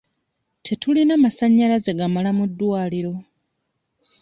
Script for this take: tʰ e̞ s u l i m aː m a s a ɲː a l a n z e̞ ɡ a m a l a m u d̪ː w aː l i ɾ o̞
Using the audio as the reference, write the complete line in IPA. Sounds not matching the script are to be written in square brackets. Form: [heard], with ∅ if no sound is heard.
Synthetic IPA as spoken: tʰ e̞ [t] u l i [n] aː m a s a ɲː a l a [∅] z e̞ ɡ a m a l a m u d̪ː w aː l i ɾ o̞